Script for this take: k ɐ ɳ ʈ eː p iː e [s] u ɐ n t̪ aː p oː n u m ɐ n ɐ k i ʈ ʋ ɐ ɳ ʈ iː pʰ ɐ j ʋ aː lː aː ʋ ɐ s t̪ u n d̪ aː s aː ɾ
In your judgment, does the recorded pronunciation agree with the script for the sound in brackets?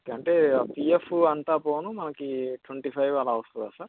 no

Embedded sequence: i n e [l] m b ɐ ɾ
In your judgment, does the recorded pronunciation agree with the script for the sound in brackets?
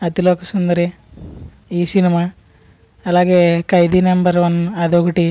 no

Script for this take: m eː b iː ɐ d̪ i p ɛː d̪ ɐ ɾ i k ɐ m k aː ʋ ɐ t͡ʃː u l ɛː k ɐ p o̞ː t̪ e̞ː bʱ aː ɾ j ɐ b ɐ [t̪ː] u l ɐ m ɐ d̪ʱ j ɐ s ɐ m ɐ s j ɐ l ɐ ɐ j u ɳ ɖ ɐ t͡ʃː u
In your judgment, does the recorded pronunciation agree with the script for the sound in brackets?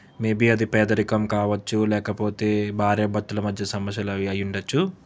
yes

